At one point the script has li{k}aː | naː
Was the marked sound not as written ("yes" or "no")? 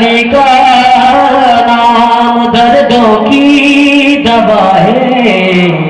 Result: no